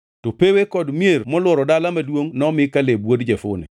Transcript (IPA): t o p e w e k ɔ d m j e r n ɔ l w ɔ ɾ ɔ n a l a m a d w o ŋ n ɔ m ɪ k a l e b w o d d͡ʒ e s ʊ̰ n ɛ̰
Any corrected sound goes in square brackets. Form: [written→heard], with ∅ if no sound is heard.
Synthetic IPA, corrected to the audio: t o p e w e k ɔ d m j e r [n→m] ɔ l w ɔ ɾ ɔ [n→d] a l a m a d w o ŋ n ɔ m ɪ k a l e b w o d d͡ʒ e [s→f] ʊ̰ n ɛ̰